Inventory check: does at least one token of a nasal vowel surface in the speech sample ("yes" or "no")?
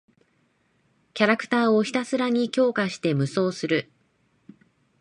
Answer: no